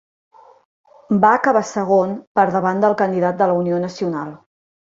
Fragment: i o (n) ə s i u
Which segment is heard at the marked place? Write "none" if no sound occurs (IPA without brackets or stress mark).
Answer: n